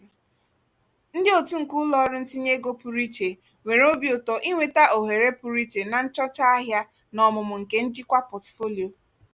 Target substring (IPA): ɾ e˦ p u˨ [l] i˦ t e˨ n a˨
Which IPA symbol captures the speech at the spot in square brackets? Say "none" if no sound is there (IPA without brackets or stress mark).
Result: ɾ